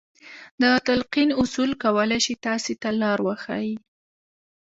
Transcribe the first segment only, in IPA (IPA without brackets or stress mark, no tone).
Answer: d̪